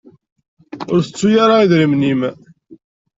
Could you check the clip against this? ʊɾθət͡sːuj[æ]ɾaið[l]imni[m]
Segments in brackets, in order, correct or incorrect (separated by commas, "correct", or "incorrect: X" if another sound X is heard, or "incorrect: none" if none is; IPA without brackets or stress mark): incorrect: a, incorrect: ɾ, correct